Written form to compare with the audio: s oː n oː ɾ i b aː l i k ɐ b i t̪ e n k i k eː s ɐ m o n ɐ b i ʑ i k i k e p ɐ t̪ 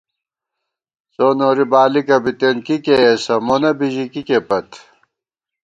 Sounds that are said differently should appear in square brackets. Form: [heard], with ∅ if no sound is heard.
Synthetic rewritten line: s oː n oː ɾ i b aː l i k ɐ b i t̪ e n k i k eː s ɐ m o n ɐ b i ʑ i k i k e p ɐ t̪